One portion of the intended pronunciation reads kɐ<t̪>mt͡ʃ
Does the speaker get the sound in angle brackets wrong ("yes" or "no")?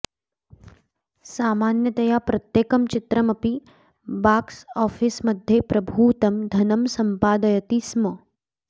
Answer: yes